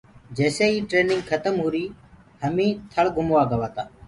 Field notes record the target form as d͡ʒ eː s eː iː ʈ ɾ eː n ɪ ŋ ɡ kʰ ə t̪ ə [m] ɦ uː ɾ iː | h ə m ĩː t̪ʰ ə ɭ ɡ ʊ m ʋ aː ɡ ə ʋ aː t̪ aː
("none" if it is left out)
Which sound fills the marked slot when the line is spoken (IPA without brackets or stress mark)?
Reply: m